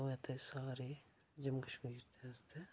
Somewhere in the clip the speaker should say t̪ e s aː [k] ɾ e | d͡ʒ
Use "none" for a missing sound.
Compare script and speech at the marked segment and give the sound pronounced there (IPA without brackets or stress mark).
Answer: none